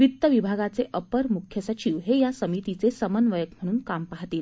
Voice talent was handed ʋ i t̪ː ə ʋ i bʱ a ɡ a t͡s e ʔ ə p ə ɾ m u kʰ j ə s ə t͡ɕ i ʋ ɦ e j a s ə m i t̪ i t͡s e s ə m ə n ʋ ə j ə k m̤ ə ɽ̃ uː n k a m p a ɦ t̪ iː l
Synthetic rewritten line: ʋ i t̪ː ə ʋ i bʱ a ɡ a t͡s e ʔ ə p ə ɾ m u kʰ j ə s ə t͡ɕ i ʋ ɦ e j a s ə m i t̪ i t͡s e s ə m ə n ʋ ə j ə k m̤ ə ɽ̃ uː n k a m p a ɦ t̪ iː l